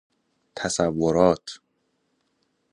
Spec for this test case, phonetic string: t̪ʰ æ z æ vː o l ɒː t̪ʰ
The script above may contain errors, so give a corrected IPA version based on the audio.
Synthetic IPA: t̪ʰ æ s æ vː o ɾ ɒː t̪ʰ